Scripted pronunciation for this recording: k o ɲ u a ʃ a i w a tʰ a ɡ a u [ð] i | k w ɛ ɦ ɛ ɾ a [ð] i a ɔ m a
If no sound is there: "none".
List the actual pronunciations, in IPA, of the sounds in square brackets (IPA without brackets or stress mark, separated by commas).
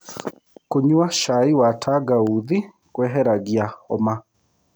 ð, ɣ